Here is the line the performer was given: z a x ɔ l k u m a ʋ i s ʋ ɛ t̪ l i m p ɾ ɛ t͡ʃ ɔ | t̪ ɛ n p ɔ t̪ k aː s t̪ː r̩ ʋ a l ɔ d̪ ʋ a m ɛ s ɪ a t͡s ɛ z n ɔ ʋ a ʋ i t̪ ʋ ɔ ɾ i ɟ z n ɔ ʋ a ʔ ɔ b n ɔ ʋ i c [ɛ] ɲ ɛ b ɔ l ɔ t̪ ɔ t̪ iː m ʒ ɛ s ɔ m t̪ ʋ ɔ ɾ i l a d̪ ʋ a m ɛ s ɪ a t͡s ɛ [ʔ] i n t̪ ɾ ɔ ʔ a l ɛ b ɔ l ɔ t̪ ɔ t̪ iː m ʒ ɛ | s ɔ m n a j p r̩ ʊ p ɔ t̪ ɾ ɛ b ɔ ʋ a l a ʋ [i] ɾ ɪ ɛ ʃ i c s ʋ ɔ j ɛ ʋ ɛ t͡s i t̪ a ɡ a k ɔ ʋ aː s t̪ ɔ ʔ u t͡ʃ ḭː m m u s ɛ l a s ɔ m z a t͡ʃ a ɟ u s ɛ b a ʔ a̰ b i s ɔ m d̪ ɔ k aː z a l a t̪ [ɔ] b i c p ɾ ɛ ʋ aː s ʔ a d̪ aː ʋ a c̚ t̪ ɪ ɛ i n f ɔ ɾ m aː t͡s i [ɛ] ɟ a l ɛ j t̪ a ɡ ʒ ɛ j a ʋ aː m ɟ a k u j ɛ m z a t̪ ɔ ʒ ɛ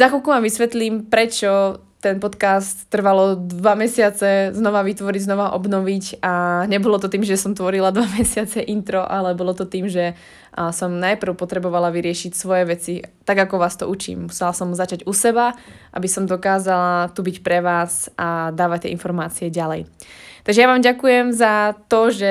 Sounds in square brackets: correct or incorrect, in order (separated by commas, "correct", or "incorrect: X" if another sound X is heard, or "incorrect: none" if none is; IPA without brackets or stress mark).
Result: incorrect: a, correct, correct, incorrect: u, correct